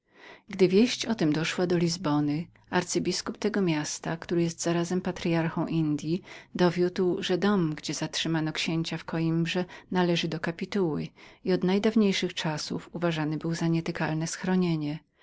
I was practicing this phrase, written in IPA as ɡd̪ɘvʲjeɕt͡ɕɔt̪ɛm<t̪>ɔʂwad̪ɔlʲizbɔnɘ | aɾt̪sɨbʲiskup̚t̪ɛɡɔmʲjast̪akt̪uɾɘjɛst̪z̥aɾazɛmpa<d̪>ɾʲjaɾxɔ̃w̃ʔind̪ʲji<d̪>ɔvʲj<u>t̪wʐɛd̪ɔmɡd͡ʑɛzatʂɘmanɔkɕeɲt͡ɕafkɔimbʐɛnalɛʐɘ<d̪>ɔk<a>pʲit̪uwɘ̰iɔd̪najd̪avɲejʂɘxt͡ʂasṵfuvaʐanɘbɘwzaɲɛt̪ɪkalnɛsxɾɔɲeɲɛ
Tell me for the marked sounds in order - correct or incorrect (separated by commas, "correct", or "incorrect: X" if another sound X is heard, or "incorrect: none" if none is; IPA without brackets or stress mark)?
incorrect: d̪, incorrect: t̪, correct, correct, correct, correct